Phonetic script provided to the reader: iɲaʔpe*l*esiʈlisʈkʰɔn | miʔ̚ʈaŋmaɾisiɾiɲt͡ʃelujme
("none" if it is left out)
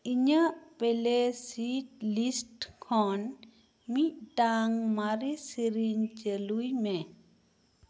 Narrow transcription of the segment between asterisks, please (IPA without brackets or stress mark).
l